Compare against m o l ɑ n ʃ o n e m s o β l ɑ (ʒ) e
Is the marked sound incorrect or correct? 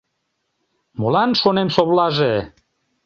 correct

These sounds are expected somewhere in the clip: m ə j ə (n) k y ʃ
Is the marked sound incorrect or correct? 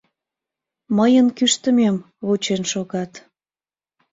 correct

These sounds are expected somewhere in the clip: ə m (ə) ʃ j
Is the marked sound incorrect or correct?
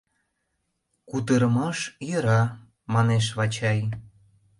incorrect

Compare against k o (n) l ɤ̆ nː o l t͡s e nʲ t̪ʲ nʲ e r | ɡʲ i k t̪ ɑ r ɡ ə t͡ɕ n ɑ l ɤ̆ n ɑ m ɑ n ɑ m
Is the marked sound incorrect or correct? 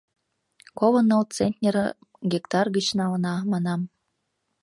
incorrect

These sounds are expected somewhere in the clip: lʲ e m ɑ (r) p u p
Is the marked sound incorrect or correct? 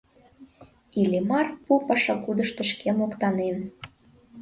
correct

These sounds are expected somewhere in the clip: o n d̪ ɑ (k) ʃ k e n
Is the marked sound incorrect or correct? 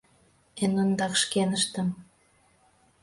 correct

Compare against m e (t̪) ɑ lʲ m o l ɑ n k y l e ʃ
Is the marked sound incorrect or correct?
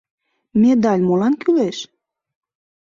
incorrect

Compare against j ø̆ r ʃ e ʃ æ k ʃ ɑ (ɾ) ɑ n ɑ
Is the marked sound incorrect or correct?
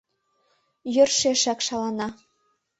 incorrect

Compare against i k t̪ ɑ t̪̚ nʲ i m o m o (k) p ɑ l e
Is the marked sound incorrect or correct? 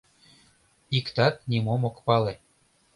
correct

